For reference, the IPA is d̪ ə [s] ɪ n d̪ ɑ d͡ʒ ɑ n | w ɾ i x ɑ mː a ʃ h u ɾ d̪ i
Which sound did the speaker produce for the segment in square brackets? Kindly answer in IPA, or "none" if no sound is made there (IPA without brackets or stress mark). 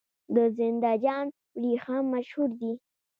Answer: z